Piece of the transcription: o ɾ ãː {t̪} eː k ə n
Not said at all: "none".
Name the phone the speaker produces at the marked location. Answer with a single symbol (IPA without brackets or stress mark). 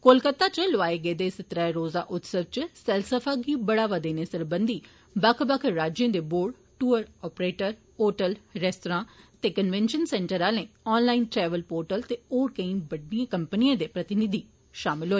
t̪